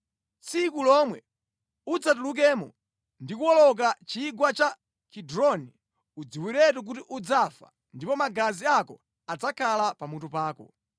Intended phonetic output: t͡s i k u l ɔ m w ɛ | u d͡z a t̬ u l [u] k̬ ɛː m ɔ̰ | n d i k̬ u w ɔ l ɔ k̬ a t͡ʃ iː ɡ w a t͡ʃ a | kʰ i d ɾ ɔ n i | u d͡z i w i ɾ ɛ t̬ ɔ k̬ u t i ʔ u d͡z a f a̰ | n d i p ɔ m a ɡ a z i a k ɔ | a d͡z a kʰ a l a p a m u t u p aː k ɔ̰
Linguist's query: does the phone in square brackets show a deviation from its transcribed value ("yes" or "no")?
no